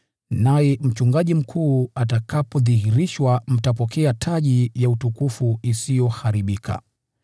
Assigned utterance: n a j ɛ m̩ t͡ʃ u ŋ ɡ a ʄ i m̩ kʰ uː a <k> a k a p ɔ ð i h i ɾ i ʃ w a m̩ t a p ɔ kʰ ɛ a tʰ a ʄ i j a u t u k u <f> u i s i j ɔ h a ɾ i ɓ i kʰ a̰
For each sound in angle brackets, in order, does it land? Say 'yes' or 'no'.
no, yes

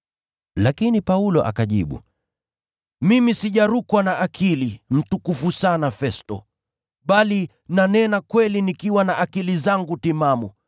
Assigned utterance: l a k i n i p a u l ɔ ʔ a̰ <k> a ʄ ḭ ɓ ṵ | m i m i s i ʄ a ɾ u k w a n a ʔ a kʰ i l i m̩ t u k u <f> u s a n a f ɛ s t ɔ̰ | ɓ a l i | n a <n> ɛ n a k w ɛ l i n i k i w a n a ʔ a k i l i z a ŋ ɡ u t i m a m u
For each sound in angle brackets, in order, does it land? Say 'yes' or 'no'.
yes, yes, yes

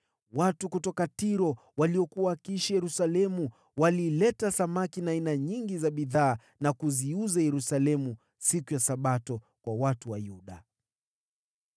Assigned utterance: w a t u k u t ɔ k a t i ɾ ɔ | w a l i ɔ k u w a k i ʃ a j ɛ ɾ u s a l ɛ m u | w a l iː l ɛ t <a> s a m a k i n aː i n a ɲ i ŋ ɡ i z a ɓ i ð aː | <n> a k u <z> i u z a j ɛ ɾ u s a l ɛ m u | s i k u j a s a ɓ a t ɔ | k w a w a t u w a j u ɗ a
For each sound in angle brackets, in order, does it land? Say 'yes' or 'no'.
yes, yes, yes

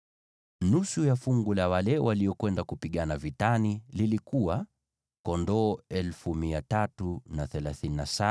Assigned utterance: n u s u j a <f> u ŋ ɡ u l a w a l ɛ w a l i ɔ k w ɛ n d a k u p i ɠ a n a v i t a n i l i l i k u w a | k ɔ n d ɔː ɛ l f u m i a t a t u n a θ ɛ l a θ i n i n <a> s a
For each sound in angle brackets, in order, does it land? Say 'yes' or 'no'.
yes, yes

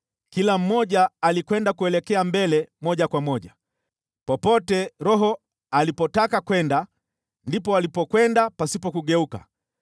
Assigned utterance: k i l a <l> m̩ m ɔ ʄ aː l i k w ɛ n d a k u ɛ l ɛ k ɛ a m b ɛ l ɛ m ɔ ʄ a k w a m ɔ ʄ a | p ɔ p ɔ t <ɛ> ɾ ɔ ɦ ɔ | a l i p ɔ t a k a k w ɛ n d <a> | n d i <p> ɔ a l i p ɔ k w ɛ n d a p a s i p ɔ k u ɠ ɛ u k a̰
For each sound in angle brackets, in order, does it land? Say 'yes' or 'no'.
no, yes, yes, yes

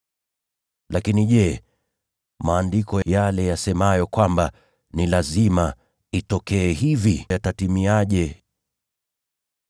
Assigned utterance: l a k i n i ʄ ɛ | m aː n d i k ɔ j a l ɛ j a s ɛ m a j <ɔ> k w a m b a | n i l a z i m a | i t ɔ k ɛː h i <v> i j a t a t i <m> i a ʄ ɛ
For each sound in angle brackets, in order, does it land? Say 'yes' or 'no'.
yes, yes, yes

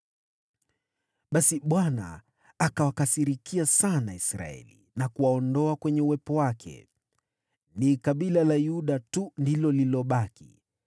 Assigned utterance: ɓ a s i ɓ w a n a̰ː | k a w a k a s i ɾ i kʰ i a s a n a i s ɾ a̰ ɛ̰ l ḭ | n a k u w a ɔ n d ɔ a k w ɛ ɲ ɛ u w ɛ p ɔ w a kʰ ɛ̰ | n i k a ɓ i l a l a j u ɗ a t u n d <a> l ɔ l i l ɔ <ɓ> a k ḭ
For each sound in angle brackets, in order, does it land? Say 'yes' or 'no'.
no, yes

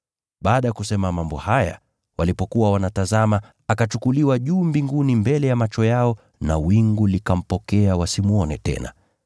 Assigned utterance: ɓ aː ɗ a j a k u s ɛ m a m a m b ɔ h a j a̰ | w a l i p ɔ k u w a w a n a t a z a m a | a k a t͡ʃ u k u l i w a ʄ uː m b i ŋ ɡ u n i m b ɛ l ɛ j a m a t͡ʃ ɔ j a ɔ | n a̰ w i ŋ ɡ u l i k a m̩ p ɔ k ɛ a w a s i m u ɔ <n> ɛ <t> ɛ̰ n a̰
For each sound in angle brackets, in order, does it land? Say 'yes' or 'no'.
yes, yes

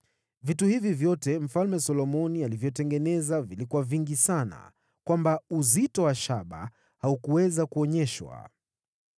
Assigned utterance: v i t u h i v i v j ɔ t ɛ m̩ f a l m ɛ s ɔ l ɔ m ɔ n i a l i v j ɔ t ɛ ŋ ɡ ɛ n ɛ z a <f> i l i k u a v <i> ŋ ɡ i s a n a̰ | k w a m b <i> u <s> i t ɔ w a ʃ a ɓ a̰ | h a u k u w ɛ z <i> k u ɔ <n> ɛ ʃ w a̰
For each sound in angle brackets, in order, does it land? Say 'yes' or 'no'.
no, yes, no, no, no, no

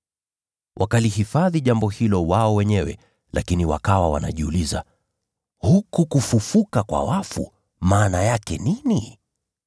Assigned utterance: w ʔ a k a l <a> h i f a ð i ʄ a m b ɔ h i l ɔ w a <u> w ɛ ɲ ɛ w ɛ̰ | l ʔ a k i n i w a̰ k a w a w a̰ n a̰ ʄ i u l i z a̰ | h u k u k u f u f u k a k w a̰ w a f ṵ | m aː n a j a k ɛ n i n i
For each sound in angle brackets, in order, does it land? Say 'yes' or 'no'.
no, no

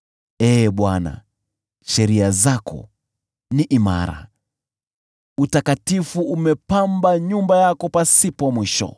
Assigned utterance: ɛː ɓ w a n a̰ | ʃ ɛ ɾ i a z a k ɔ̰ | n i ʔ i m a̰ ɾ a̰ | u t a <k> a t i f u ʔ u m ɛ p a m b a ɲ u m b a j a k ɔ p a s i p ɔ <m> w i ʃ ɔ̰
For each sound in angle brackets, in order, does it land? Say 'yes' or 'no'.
yes, yes

